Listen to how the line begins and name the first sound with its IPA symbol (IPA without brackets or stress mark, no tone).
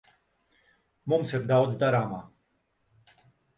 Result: m